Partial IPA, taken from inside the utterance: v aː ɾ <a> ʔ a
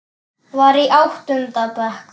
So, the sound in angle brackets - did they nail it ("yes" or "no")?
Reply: no